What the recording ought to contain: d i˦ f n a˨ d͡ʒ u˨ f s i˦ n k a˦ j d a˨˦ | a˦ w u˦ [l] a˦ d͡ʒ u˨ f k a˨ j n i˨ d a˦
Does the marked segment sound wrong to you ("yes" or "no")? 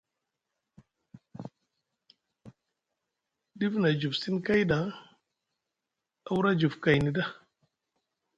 yes